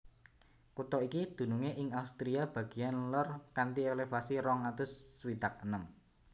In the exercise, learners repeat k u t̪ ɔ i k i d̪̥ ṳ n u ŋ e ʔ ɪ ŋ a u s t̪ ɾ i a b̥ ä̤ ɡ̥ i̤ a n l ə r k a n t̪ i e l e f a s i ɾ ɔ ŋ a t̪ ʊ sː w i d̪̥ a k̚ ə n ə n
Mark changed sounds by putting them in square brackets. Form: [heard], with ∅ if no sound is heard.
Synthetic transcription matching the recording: k u t̪ ɔ i k i d̪̥ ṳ n u ŋ e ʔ ɪ ŋ a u s t̪ ɾ i a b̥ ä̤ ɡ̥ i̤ a n l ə r k a n t̪ i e l e f a s i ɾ ɔ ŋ a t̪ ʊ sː w i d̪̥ a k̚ ə n ə [m]